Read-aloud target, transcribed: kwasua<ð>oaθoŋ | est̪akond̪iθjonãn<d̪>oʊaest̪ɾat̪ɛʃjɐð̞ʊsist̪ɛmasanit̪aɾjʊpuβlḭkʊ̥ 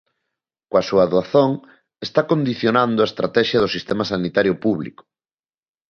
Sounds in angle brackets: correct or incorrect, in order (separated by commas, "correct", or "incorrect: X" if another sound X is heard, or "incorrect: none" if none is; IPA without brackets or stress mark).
correct, correct